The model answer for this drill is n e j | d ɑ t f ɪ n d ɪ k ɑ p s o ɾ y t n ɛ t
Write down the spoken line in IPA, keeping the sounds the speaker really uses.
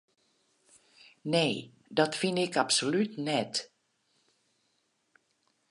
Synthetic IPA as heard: n e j | d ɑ t f ɪ n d ɪ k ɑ p s o l y t n ɛ t